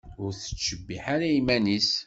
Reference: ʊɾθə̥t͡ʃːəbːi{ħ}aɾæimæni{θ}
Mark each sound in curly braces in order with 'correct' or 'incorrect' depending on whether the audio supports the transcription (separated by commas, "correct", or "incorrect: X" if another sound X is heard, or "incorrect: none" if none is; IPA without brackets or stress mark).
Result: correct, incorrect: s